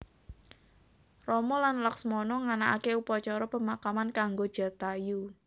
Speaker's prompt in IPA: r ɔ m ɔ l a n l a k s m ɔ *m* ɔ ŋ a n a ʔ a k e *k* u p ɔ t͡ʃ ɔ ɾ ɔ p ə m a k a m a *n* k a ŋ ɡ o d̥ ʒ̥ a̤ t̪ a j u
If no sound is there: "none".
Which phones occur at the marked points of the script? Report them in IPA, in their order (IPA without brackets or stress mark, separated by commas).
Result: n, none, n